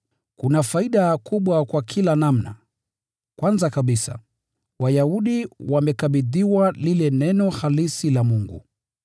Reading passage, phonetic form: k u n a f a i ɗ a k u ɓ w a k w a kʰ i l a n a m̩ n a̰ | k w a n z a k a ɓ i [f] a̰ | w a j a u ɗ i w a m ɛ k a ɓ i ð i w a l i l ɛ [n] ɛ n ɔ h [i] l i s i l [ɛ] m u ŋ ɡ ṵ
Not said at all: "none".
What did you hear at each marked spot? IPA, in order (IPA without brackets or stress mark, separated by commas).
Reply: s, n, a, a